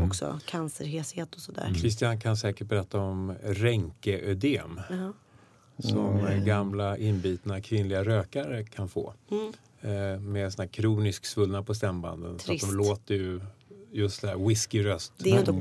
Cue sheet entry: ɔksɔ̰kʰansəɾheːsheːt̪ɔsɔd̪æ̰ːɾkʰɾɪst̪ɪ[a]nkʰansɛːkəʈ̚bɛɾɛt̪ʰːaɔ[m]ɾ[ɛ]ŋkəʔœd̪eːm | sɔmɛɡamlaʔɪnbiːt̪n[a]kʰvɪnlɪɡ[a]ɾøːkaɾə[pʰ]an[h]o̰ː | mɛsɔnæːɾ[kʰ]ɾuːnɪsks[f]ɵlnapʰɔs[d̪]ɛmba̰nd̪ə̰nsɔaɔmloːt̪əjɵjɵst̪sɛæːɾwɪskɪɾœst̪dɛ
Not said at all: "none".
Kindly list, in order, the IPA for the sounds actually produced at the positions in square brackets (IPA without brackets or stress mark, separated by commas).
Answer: a, m, ɛ, a, a, kʰ, f, kʰ, v, t̪